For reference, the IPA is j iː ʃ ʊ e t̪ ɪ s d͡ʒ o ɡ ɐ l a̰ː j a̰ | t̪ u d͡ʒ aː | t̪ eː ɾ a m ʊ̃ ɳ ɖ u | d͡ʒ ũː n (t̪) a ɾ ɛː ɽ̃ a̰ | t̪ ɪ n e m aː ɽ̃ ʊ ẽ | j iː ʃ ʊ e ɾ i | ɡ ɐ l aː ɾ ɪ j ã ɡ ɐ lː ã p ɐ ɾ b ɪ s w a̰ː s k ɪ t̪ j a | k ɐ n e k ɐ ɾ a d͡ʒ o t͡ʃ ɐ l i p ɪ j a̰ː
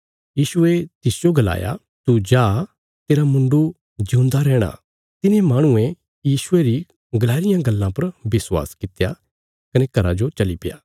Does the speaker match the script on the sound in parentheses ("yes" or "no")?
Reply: no